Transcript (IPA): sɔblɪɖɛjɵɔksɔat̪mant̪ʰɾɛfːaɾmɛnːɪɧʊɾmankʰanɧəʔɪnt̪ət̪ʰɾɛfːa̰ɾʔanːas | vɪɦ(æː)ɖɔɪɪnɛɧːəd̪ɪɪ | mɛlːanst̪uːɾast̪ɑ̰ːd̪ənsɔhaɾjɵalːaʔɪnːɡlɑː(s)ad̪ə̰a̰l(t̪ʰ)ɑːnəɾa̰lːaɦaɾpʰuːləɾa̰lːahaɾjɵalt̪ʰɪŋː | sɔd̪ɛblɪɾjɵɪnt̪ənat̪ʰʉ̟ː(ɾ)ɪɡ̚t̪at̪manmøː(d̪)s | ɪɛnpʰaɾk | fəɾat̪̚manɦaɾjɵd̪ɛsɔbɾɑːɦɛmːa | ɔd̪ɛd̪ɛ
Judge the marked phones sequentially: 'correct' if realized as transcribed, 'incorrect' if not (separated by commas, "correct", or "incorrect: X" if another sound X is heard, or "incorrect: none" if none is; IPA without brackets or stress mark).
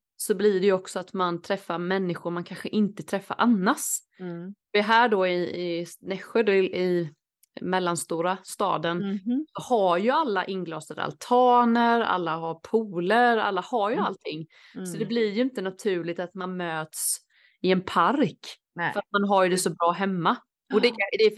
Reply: correct, correct, correct, incorrect: ɭ, incorrect: t̪